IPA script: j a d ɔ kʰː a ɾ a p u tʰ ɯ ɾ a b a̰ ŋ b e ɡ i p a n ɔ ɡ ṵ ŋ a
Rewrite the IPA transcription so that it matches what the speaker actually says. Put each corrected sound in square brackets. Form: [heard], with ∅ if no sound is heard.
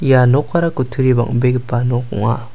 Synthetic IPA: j a [n] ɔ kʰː a ɾ a [k] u tʰ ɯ ɾ [i] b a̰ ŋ b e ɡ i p a n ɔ [k] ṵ ŋ a